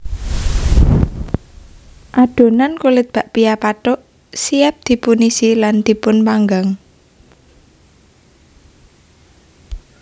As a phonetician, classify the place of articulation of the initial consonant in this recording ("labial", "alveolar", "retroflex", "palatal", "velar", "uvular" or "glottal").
glottal